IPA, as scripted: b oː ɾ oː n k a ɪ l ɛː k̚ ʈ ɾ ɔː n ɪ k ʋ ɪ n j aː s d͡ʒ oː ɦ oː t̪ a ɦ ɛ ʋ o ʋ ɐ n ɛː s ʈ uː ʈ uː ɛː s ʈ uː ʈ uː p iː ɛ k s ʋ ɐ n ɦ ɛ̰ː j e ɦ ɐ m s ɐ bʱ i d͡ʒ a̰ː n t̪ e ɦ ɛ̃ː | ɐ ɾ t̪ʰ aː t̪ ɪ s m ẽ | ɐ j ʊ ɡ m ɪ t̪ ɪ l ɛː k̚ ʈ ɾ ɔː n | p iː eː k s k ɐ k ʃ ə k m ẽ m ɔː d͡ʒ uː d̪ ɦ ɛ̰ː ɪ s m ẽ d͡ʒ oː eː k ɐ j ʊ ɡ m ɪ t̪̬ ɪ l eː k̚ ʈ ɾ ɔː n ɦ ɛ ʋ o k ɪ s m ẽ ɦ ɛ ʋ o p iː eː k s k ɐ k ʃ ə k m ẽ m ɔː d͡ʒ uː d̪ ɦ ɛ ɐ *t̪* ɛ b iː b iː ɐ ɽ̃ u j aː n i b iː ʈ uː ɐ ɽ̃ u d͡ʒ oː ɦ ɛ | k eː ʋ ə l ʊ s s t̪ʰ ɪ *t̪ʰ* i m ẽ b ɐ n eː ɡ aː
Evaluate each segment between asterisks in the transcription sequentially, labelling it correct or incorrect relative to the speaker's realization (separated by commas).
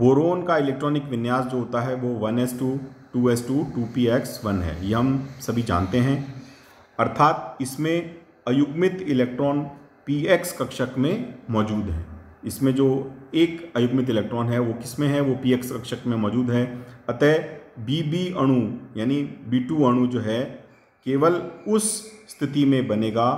correct, incorrect